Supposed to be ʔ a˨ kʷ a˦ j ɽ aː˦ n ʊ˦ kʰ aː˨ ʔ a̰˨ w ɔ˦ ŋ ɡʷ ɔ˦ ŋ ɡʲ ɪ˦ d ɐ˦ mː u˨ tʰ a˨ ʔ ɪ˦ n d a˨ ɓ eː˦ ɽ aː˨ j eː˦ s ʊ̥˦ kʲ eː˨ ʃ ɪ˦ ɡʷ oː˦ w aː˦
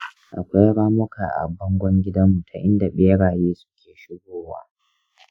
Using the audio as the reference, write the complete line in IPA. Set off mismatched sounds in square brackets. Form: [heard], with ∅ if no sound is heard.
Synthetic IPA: ʔ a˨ kʷ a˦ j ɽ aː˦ [m] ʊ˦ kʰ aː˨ ʔ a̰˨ [b] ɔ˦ ŋ ɡʷ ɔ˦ ŋ ɡʲ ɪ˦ d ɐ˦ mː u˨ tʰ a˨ ʔ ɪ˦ n d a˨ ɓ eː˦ ɽ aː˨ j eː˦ s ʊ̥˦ kʲ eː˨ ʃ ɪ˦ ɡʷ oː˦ w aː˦